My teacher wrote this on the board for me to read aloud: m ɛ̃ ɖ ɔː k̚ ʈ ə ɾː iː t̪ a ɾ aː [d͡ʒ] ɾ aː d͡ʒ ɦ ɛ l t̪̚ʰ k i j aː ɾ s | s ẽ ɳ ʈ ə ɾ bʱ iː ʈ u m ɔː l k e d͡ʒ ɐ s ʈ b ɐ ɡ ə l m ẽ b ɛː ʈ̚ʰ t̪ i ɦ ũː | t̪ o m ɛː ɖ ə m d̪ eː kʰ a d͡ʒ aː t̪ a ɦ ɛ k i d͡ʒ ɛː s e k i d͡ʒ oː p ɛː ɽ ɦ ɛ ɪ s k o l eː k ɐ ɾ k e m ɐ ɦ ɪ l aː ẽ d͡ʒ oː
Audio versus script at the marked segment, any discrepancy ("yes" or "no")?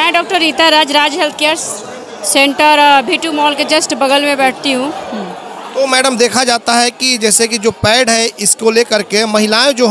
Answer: no